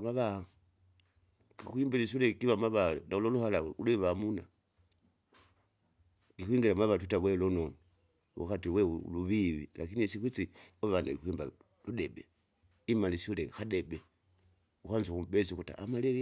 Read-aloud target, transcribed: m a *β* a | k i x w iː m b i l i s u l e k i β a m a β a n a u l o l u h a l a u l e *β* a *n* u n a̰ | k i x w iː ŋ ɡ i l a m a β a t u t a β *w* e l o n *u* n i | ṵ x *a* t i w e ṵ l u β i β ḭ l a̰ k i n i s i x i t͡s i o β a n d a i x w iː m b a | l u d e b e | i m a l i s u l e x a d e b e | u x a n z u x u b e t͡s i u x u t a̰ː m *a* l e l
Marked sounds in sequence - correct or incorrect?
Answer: correct, correct, incorrect, correct, incorrect, correct, correct

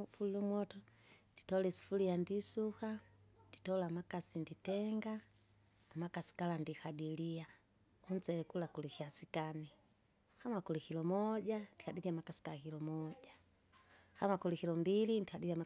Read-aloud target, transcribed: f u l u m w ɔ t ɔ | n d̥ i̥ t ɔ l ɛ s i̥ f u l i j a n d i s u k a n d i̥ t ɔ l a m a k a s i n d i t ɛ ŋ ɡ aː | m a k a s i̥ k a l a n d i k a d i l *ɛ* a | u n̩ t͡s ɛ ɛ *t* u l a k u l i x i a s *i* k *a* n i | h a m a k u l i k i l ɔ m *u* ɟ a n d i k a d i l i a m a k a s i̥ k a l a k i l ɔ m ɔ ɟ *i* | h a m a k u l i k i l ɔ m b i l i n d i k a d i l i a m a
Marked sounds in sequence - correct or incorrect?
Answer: incorrect, incorrect, correct, correct, incorrect, incorrect

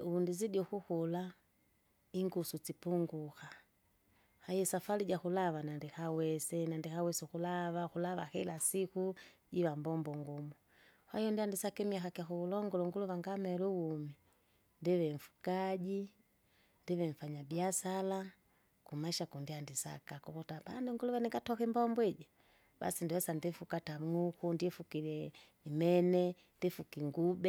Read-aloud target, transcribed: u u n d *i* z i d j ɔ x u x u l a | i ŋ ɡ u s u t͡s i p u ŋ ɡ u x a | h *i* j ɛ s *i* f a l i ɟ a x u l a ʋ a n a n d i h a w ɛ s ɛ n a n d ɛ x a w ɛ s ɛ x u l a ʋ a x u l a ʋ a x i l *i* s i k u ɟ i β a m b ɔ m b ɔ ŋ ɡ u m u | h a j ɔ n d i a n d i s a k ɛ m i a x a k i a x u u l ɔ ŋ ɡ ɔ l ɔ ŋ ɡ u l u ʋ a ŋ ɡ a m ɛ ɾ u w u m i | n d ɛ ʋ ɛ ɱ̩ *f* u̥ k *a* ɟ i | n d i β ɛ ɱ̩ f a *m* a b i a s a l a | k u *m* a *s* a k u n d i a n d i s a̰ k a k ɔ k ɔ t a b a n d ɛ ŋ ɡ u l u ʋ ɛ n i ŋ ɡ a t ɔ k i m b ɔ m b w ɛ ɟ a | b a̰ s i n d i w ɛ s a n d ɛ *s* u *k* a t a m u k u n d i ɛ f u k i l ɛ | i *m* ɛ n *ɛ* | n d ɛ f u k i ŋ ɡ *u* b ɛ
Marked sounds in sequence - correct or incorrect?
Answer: correct, incorrect, incorrect, incorrect, correct, correct, incorrect, correct, incorrect, incorrect, correct, correct, correct, correct

